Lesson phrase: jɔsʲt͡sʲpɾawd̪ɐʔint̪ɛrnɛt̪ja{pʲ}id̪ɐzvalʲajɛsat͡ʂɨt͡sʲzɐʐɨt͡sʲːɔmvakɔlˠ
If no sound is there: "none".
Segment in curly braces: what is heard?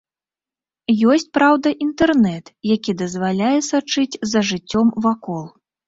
kʲ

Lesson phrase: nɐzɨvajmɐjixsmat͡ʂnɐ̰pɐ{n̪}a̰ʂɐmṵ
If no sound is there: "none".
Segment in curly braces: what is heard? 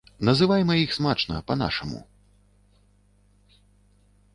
n̪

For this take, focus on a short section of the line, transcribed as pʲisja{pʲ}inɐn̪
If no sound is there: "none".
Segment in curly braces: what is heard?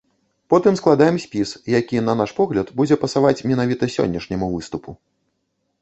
kʲ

